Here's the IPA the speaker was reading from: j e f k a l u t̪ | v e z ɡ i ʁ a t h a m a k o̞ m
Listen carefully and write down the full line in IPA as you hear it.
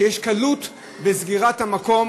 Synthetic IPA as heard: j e ʃ k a l u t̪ | b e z ɡ i ʁ a t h a m a k o̞ m